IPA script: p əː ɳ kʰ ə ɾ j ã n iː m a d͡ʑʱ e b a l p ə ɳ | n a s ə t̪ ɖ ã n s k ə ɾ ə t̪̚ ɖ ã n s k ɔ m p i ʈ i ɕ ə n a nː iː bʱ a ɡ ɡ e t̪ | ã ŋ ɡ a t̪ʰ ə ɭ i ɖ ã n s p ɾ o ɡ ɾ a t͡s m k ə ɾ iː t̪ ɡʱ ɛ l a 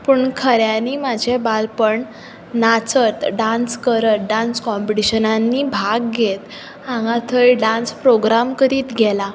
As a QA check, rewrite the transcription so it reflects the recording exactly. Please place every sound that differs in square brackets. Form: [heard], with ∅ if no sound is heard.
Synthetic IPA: p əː ɳ kʰ ə ɾ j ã n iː m a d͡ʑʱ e b a l p ə ɳ | n a [t͡s] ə t̪ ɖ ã n s k ə ɾ ə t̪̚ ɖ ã n s k ɔ m p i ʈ i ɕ ə n a nː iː bʱ a ɡ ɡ e t̪ | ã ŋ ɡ a t̪ʰ ə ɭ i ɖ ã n s p ɾ o ɡ ɾ a [∅] m k ə ɾ iː t̪ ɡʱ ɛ l a